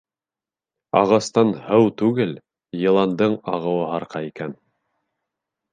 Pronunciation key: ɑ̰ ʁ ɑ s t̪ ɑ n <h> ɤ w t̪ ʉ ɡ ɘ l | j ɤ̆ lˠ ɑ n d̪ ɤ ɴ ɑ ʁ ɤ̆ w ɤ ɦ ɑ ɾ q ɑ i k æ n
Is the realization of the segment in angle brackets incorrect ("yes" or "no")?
no